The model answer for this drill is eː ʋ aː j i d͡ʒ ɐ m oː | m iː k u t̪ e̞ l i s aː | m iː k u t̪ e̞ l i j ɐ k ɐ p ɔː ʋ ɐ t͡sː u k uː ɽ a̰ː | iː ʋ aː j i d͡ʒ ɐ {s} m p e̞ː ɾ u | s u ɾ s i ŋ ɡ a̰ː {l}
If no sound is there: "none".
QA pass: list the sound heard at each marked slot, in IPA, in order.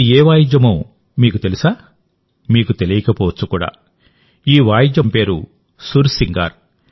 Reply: none, ɾ

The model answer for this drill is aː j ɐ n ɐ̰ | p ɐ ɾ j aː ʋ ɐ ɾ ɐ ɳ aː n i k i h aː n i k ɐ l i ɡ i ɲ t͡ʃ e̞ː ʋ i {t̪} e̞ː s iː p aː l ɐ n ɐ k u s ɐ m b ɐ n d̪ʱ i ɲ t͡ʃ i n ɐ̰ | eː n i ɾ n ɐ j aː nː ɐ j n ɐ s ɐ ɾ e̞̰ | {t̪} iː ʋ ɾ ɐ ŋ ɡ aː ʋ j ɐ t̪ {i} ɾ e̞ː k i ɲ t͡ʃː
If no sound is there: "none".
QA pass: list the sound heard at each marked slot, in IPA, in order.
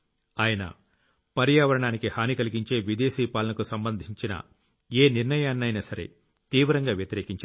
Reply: d̪, t̪, i

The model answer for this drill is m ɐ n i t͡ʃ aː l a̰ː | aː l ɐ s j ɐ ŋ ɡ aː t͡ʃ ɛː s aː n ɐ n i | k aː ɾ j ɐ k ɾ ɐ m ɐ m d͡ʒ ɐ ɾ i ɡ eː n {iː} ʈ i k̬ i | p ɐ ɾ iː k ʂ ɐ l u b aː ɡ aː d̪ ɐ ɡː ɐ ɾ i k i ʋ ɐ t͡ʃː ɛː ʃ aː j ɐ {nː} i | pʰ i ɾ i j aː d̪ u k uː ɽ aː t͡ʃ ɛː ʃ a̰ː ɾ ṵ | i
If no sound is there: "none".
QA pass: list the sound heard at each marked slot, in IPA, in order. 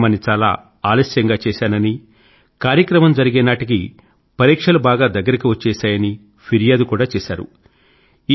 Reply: aː, n

